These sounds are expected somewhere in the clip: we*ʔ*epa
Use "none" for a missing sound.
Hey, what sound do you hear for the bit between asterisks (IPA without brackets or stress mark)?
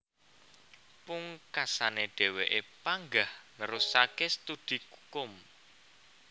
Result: ʔ